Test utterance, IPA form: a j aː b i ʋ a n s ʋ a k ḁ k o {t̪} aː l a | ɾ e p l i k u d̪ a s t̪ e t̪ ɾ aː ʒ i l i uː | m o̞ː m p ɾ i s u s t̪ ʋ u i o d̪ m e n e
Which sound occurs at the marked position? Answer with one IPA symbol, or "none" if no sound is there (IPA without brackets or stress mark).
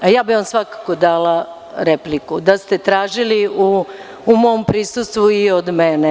d̪